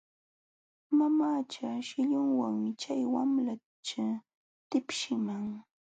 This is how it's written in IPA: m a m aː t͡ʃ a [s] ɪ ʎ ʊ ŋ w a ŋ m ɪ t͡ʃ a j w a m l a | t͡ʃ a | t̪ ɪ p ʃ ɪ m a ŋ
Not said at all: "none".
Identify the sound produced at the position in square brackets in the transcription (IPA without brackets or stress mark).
ʃ